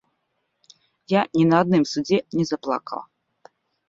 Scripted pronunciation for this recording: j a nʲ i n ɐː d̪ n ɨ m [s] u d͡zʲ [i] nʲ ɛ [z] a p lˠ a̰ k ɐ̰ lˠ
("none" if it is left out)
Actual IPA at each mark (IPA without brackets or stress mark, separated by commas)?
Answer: s, ɛ, z